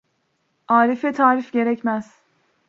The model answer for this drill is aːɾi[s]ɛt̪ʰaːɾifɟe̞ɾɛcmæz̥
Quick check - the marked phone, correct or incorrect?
incorrect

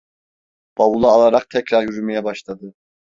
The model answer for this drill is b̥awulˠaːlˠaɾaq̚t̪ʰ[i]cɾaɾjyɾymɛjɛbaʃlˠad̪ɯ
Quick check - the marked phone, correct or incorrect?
incorrect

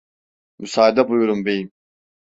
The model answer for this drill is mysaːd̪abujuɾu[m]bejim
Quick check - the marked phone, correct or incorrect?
correct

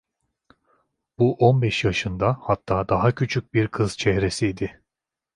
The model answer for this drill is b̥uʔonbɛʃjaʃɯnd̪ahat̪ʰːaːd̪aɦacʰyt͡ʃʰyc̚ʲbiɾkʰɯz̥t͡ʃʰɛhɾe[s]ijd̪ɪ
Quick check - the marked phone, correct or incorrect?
correct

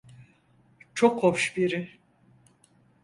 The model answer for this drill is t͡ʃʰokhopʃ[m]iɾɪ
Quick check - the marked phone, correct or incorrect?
incorrect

